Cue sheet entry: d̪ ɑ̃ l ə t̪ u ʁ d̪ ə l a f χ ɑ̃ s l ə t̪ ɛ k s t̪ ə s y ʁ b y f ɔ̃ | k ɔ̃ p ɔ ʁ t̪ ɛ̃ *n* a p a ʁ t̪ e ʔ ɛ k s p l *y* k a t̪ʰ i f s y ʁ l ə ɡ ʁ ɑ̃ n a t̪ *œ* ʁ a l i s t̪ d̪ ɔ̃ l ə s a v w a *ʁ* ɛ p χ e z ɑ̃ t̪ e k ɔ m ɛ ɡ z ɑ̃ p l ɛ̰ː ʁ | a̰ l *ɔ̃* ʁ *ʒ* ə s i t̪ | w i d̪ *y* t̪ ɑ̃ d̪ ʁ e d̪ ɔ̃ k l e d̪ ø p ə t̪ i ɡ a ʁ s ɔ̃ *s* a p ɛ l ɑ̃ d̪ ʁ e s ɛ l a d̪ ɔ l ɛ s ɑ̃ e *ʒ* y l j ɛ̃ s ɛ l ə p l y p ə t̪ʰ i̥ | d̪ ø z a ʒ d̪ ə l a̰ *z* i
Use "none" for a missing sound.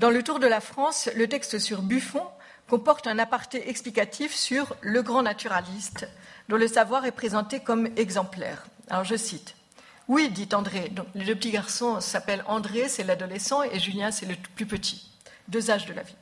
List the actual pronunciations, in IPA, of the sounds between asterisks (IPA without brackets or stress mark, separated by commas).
n, i, y, ʁ, ɔ, ʒ, i, s, ʒ, v